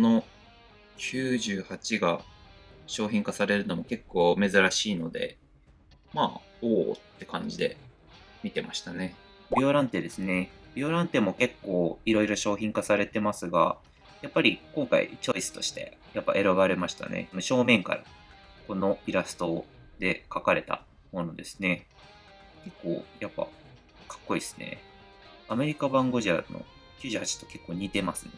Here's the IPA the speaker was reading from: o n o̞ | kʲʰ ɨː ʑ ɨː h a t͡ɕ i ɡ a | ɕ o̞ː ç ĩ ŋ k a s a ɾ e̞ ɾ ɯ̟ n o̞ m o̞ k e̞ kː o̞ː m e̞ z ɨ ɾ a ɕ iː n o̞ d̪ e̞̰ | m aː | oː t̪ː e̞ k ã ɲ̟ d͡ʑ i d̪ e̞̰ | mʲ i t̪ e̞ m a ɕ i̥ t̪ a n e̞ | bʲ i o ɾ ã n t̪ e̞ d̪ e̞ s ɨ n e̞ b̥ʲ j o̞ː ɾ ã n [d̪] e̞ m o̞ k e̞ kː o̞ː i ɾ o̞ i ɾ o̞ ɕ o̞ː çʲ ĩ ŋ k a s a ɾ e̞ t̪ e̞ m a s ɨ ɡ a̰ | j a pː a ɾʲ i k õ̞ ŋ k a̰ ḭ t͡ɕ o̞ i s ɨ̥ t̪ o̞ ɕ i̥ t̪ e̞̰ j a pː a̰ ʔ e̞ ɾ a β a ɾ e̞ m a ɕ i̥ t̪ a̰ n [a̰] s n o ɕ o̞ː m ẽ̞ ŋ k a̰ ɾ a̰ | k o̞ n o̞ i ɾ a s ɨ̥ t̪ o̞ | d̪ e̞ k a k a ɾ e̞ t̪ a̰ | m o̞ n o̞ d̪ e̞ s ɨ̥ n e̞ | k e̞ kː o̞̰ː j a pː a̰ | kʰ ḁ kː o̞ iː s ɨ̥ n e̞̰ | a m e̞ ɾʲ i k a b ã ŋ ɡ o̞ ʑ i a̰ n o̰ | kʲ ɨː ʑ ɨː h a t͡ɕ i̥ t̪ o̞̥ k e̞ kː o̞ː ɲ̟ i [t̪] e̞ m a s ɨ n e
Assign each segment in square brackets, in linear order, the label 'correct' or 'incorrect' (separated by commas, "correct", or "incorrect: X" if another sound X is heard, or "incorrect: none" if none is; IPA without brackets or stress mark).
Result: incorrect: t̪, incorrect: ḛ, correct